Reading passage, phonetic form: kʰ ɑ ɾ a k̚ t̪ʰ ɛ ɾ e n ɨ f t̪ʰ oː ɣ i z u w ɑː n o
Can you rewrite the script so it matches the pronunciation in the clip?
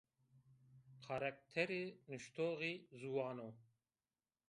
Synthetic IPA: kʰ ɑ ɾ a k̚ t̪ʰ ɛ ɾ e n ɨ ʃ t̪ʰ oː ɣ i z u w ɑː n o